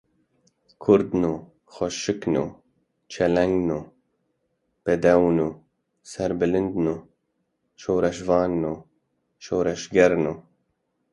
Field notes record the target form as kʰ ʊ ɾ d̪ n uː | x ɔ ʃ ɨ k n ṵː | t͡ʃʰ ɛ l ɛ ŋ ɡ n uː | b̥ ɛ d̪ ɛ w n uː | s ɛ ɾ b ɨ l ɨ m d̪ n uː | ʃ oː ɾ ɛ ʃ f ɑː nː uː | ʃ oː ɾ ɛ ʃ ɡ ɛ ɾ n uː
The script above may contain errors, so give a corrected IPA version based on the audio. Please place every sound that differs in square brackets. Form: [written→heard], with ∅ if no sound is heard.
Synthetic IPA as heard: kʰ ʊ ɾ d̪ n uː | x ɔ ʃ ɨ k n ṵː | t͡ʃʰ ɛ l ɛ ŋ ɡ n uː | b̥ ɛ d̪ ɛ w n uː | s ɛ ɾ b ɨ l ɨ [m→n] d̪ n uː | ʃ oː ɾ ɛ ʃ [f→v] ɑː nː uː | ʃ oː ɾ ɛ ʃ ɡ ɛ ɾ n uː